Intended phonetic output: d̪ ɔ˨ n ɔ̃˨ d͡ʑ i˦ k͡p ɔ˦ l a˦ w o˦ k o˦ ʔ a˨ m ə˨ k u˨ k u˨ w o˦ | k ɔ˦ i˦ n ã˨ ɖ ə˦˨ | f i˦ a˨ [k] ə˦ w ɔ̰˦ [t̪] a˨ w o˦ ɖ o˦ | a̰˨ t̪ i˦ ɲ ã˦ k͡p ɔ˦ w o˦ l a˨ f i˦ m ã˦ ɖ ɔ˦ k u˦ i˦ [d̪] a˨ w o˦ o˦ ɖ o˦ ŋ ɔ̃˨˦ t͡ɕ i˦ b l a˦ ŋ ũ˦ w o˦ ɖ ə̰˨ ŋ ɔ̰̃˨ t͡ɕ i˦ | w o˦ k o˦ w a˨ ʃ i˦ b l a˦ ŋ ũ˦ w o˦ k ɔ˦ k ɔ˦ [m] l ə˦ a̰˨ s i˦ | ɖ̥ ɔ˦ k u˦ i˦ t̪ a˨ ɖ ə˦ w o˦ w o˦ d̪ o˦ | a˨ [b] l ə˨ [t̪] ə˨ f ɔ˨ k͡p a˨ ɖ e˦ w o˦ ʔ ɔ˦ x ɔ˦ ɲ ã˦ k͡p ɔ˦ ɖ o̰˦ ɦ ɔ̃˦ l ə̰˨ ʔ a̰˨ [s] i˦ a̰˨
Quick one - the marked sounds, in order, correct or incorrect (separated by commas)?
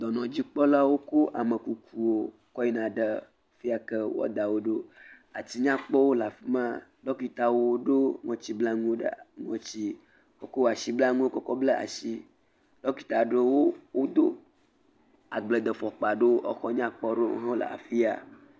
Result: correct, incorrect, incorrect, incorrect, incorrect, incorrect, incorrect